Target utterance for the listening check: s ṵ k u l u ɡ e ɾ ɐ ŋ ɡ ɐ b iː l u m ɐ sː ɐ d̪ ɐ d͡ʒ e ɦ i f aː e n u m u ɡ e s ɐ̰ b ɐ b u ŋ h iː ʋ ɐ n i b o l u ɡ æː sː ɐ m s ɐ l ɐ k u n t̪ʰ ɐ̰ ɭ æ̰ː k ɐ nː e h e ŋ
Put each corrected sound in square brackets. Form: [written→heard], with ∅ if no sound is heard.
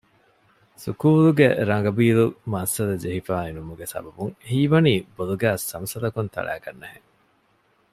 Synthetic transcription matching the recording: s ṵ k [u→uː] l u ɡ e ɾ ɐ ŋ ɡ ɐ b iː l u m ɐ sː ɐ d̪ ɐ d͡ʒ e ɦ i f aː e n u m u ɡ e s ɐ̰ b ɐ b u ŋ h iː ʋ ɐ n [i→iː] b o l u ɡ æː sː ɐ m s ɐ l ɐ k u n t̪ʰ ɐ̰ ɭ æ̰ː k ɐ nː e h e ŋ